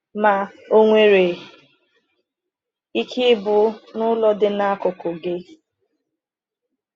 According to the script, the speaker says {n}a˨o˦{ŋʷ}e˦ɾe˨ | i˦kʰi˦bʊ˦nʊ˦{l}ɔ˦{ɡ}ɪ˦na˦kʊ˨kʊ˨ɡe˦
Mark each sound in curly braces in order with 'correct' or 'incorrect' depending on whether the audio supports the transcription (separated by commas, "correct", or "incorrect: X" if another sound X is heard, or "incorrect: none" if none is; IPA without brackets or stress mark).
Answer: incorrect: m, correct, correct, incorrect: d